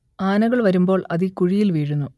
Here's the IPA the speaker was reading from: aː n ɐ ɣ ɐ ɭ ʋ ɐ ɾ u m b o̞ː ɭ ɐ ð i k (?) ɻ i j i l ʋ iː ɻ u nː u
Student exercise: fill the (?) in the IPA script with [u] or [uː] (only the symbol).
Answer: u